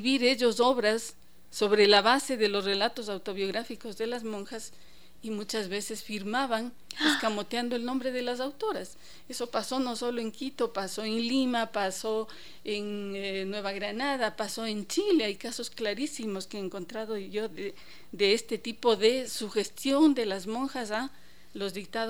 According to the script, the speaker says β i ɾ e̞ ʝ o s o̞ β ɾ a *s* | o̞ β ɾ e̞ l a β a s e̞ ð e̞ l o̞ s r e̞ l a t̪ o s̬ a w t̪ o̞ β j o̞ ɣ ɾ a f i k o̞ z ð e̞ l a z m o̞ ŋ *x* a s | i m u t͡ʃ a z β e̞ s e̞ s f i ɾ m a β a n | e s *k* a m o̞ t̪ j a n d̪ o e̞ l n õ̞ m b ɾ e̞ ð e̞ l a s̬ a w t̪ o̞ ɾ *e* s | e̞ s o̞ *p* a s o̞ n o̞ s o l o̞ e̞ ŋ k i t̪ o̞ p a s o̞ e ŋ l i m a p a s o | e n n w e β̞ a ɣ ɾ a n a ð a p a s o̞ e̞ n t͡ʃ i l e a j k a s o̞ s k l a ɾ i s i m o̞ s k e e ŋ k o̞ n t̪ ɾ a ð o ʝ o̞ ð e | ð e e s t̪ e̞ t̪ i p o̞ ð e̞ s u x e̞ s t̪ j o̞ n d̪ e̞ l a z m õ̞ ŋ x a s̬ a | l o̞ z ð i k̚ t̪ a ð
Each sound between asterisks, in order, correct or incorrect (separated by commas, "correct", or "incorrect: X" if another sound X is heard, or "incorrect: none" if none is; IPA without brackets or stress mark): incorrect: sː, correct, correct, incorrect: a, correct